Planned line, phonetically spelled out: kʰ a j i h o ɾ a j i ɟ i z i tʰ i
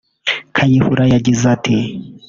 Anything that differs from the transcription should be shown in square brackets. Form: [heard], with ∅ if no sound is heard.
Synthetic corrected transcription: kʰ a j i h [u] ɾ a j [a] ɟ i z [a] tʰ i